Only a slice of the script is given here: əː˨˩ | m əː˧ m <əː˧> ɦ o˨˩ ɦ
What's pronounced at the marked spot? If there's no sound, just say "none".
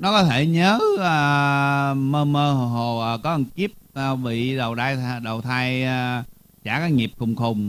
əː˧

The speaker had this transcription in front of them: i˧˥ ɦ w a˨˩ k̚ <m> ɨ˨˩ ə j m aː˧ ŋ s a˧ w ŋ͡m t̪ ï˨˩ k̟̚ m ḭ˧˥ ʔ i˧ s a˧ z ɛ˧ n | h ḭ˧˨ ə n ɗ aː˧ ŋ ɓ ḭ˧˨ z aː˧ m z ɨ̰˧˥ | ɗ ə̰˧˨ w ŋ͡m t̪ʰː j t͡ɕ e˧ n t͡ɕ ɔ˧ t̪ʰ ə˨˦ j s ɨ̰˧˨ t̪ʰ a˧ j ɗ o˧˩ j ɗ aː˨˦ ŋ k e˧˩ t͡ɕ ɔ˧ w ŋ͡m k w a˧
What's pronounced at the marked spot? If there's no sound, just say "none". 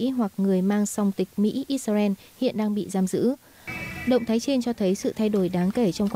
ŋ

